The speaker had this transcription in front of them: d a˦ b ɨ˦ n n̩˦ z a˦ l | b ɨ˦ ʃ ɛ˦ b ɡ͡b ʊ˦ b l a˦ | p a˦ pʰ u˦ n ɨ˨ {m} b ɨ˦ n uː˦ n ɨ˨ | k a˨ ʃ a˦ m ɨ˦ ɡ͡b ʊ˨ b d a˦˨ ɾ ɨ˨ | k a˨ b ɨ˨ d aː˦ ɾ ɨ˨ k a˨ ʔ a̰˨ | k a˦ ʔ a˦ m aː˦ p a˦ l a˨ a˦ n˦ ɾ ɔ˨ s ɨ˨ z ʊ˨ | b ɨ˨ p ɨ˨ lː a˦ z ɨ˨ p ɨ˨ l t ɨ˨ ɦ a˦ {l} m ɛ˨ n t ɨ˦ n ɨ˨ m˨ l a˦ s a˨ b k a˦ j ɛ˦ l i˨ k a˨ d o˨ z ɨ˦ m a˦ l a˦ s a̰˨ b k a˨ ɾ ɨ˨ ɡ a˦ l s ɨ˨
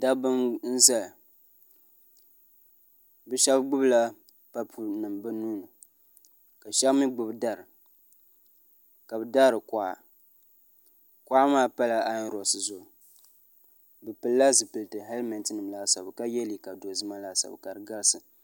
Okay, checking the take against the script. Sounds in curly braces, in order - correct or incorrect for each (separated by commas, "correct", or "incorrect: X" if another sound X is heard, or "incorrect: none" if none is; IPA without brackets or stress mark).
correct, correct